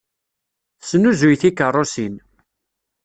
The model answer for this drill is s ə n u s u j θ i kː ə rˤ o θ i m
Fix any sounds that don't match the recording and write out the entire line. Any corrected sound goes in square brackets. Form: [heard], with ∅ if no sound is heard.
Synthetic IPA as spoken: s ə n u [z] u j θ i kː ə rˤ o [s] i [n]